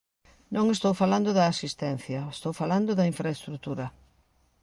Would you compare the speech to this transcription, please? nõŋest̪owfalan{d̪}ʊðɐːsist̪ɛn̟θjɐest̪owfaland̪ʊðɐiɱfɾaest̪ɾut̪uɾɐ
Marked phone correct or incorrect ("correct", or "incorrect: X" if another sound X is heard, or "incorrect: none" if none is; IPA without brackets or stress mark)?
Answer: correct